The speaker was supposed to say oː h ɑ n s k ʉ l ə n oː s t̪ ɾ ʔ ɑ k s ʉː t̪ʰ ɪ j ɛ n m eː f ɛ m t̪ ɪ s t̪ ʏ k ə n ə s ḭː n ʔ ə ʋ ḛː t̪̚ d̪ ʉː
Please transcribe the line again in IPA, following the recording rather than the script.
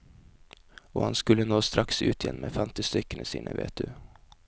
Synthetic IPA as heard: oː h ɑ n s k ʉ l ə n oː s t̪ ɾ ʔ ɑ k s ʉː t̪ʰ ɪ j ɛ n m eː f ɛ m t̪ ɪ s t̪ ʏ k ə n ə s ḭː n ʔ ə ʋ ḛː t̪̚ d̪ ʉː